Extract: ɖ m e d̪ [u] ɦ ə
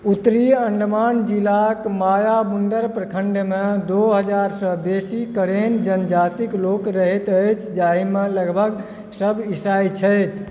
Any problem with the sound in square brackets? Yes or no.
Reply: yes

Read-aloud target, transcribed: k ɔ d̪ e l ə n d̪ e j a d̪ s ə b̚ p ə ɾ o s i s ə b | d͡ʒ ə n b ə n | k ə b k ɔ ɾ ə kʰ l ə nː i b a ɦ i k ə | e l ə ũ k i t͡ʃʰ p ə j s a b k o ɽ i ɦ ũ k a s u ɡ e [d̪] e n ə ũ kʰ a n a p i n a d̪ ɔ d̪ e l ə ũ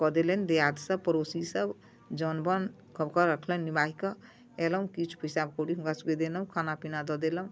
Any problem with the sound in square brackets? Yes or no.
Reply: no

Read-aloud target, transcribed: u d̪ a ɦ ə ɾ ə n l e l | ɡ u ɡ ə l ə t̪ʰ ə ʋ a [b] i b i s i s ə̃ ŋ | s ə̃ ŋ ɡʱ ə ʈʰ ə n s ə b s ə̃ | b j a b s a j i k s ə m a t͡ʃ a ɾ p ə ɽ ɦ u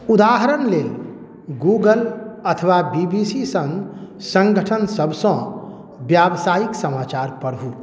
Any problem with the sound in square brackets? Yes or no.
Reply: no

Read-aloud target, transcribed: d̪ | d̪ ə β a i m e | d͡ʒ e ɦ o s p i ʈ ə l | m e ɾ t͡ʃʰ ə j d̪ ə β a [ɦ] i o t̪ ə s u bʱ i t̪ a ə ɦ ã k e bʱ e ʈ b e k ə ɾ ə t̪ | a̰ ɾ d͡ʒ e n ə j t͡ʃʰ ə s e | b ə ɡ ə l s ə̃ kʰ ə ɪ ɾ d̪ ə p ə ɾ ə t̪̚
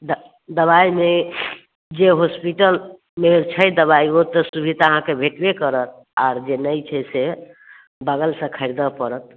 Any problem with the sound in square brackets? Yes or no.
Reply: yes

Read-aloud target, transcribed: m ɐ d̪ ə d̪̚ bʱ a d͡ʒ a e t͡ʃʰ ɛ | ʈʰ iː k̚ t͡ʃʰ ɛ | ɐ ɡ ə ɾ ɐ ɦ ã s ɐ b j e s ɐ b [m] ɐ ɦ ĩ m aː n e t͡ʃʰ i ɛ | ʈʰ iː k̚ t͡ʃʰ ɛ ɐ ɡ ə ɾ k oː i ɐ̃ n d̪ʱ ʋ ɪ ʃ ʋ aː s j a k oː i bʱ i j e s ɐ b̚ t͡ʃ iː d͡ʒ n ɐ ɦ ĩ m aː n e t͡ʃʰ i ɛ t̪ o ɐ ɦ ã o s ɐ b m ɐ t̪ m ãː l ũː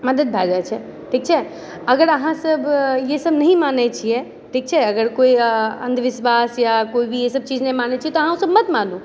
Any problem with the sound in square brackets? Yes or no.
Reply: yes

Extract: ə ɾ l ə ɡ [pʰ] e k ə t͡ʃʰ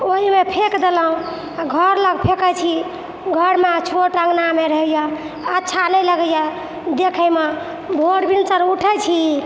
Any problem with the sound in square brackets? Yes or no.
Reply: no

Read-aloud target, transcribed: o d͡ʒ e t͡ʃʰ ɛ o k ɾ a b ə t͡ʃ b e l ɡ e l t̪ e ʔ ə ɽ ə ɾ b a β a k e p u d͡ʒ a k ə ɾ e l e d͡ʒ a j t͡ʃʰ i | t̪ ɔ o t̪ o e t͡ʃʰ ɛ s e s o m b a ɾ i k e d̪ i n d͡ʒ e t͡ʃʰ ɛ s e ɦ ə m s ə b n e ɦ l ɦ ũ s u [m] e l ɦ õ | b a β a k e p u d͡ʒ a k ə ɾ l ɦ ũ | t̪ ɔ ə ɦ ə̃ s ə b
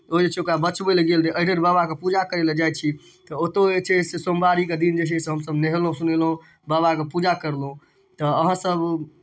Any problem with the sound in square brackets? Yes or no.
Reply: yes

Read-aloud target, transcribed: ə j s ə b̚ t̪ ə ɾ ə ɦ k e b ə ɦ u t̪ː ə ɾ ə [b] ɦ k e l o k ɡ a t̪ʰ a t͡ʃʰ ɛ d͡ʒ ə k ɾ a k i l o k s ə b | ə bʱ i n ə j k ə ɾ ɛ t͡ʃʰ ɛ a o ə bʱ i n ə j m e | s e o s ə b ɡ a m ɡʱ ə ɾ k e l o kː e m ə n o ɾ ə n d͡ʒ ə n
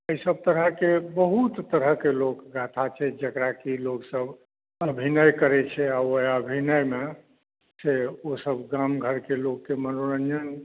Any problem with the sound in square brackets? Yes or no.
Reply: yes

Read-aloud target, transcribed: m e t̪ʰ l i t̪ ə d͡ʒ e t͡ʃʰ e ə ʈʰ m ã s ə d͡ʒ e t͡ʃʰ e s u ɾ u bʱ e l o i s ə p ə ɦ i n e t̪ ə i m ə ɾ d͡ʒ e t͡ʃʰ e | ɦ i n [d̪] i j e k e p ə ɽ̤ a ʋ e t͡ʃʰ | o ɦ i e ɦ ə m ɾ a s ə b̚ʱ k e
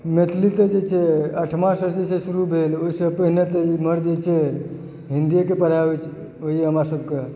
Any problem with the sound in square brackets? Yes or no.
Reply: no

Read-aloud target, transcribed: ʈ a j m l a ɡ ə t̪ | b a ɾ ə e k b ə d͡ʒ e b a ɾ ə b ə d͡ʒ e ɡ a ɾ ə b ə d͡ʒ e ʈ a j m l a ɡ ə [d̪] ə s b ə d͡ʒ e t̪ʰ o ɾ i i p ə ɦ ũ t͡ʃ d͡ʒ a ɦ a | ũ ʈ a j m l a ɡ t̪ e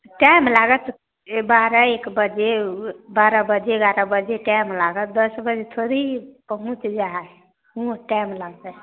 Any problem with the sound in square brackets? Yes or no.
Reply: no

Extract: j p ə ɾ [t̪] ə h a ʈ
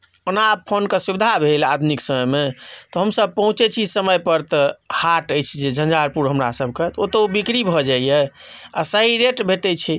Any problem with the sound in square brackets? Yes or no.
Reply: no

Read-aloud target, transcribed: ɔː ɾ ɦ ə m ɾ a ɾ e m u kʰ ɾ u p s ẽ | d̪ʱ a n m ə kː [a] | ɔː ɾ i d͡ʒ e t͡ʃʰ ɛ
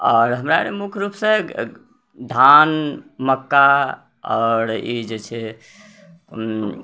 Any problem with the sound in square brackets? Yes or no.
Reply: no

